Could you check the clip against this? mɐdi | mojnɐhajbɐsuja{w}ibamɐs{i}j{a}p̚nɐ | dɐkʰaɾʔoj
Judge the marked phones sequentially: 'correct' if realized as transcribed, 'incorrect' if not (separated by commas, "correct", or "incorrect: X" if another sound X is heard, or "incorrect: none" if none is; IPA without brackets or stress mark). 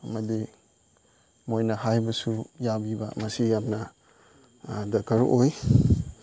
incorrect: b, correct, correct